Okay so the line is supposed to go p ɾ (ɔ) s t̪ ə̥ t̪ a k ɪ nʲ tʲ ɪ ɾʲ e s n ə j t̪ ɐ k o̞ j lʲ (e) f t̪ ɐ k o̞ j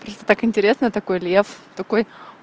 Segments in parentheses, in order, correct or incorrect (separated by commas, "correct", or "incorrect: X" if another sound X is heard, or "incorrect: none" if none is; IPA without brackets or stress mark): incorrect: o, correct